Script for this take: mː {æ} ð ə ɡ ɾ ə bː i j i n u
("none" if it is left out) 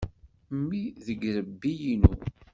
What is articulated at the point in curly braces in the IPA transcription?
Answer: i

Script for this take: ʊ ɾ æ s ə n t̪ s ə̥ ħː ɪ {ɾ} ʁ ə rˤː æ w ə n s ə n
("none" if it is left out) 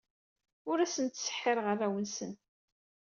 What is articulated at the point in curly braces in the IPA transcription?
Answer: ɾ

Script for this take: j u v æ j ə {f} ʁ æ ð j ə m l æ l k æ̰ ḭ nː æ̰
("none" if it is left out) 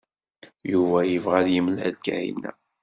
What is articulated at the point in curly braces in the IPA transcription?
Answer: v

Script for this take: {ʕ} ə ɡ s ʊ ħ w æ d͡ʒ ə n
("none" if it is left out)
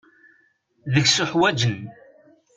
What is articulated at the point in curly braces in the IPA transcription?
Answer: ð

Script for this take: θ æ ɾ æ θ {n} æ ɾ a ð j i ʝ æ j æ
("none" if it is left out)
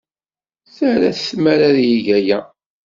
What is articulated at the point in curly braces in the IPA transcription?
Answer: m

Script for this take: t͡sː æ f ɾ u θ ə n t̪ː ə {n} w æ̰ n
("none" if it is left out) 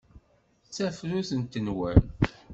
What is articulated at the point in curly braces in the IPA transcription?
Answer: n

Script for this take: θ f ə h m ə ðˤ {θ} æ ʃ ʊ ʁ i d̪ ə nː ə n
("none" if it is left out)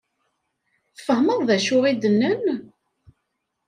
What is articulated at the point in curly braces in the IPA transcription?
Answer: ð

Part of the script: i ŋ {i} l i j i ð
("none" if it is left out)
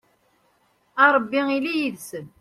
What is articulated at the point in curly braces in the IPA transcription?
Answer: i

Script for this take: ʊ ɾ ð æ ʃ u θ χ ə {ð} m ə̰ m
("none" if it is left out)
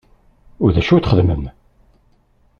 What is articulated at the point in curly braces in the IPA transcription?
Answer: ð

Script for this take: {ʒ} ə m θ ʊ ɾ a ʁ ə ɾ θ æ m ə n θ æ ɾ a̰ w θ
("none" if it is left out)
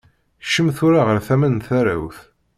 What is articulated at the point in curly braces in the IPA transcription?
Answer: ʃ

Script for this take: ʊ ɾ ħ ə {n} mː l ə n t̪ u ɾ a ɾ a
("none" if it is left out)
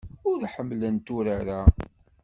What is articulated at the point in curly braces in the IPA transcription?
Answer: none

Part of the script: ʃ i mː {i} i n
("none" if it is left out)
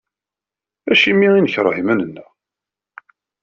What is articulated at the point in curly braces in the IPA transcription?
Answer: i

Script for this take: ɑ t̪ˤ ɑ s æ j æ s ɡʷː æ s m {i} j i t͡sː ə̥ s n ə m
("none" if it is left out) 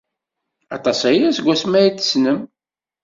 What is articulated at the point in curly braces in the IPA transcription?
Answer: æ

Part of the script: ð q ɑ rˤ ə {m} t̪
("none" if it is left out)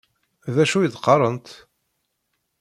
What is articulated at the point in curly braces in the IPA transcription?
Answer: n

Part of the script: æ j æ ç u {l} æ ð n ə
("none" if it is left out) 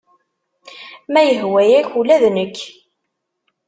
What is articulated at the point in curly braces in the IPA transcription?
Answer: l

